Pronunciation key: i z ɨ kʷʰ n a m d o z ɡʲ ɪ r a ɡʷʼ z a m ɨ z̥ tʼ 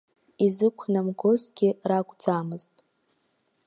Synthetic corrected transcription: i z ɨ kʷʰ n a m ɡ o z ɡʲ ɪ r a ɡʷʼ d͡z a m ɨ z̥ tʼ